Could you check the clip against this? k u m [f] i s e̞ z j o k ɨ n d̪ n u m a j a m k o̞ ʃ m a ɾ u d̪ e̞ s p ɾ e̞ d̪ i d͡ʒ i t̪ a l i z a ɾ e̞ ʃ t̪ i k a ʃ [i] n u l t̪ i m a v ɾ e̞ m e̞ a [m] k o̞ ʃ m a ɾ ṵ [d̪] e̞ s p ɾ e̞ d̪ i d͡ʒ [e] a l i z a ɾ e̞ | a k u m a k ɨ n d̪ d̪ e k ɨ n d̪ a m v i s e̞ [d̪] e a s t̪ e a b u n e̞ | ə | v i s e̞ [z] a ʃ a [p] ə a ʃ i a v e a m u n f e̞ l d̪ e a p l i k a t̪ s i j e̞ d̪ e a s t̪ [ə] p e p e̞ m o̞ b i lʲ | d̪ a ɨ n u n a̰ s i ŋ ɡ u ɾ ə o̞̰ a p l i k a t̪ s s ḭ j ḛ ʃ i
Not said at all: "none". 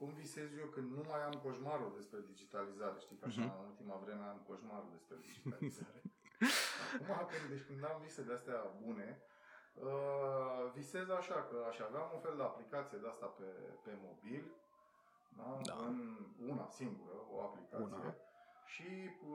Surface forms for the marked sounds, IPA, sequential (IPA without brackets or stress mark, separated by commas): v, a, m, d̪, i, d̪, z, k, a